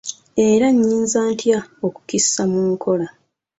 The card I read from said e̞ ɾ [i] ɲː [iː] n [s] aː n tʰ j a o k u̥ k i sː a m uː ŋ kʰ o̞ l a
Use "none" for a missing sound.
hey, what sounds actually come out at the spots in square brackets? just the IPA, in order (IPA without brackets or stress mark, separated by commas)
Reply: a, iː, z